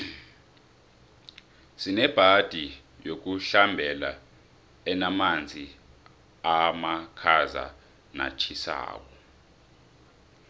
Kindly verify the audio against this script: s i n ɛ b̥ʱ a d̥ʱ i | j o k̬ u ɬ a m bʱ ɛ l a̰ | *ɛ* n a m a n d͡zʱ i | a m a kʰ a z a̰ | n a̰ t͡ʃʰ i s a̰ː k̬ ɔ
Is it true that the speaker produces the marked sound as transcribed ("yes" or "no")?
yes